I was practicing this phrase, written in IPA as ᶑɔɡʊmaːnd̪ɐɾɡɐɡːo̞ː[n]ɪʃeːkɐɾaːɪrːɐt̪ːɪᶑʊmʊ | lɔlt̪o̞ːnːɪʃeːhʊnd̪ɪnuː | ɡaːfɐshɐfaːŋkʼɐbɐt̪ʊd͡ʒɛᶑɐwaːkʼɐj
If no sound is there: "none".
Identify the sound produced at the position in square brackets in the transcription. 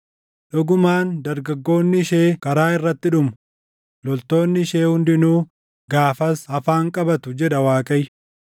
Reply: nː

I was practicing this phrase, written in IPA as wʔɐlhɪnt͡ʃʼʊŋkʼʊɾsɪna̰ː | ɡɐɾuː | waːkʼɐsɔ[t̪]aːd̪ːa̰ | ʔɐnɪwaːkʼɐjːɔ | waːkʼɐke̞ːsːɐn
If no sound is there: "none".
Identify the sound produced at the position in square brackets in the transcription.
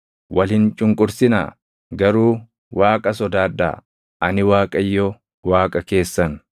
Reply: d̪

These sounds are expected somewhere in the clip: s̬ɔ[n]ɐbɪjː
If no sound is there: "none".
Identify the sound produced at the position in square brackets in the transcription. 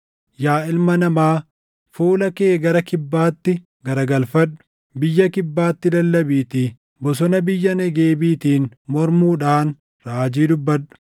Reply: n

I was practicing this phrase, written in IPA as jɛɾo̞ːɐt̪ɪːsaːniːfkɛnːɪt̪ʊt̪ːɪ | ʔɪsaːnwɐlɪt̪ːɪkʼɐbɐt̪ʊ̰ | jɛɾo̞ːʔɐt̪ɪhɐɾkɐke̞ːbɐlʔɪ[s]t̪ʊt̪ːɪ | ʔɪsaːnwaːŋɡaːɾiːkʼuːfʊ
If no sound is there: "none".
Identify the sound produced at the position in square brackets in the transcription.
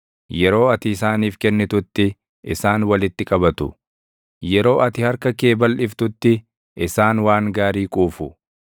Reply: f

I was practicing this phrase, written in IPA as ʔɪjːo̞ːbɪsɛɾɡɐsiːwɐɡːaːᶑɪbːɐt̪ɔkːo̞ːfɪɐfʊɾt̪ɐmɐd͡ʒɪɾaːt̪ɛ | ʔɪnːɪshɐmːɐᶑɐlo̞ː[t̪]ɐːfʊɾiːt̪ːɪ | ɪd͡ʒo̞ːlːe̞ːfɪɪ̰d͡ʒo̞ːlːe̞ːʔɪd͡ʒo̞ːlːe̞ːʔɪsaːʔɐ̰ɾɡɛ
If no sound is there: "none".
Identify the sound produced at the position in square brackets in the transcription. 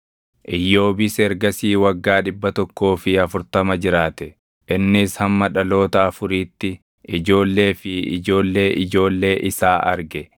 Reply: t̪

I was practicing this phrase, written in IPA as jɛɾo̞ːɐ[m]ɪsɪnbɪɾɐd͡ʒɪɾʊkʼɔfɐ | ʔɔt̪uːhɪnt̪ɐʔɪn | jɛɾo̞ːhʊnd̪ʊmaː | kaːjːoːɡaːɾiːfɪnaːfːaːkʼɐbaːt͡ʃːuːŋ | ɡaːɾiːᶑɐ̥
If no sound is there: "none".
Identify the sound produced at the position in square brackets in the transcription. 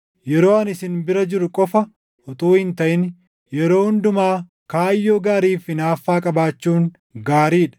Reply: n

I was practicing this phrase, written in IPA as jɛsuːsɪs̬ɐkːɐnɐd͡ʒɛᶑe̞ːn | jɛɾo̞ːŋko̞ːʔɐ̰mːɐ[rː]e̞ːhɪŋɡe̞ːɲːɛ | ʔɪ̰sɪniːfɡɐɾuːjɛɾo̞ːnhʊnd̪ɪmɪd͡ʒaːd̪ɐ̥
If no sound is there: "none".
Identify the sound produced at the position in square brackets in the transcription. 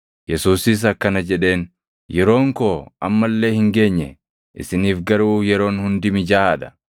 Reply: lː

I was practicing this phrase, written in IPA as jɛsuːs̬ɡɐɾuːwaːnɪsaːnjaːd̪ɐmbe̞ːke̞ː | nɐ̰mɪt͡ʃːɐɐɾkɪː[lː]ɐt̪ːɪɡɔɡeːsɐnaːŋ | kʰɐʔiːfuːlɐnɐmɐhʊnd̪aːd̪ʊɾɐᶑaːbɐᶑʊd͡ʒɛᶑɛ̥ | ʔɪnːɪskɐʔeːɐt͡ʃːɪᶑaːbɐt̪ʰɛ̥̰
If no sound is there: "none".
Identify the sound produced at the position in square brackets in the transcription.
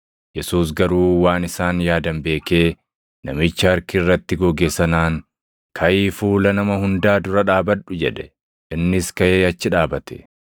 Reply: rː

